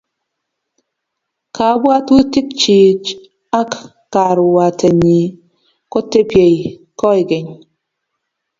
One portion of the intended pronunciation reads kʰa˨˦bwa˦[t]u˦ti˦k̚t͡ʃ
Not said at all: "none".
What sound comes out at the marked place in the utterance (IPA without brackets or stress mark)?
t